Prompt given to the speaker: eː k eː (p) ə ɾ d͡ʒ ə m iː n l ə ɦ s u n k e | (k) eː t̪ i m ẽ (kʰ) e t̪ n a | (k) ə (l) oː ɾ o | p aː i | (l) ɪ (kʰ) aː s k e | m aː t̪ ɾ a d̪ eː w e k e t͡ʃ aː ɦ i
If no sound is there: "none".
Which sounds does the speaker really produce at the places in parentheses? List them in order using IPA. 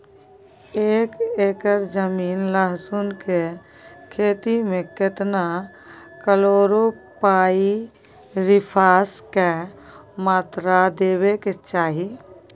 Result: k, kʰ, k, k, l, ɾ, pʰ

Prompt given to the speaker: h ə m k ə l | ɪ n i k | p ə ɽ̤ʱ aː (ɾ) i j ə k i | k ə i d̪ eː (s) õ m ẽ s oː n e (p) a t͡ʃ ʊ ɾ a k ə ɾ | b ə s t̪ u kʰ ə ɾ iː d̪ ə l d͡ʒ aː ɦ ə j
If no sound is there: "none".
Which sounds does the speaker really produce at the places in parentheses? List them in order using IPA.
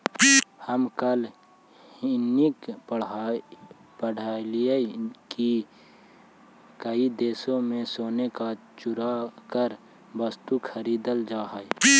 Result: l, s, k

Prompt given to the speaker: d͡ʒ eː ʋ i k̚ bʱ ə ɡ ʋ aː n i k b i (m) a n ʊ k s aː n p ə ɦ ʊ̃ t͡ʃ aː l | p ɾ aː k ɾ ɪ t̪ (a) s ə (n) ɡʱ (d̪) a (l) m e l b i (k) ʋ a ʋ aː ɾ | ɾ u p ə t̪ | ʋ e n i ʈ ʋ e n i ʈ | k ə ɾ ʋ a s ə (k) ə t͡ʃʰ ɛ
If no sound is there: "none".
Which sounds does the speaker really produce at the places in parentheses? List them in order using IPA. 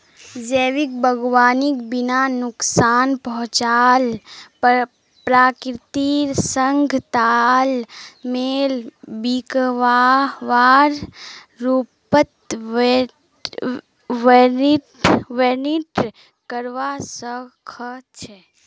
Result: n, i, ŋ, t̪, l, k, kʰ

